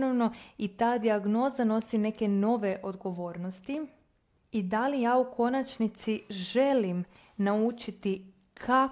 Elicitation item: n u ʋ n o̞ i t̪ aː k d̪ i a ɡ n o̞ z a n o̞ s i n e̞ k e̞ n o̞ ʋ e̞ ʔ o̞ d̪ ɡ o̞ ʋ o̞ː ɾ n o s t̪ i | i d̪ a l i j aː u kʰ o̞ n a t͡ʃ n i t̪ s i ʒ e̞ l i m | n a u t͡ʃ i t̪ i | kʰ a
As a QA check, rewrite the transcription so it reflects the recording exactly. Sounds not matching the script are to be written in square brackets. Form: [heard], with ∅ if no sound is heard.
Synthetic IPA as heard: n [o] ʋ n o̞ i t̪ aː [∅] d̪ i a ɡ n o̞ z a n o̞ s i n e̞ k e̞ n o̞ ʋ e̞ ʔ o̞ d̪ ɡ o̞ ʋ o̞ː ɾ n o s t̪ i | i d̪ a l i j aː u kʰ o̞ n a t͡ʃ n i t̪ s i ʒ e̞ l i m | n a u t͡ʃ i t̪ i | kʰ a